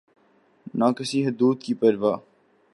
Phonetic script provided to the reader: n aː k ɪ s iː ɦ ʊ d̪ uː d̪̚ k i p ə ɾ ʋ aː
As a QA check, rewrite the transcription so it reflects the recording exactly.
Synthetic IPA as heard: n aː k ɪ s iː ɦ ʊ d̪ uː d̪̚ k i p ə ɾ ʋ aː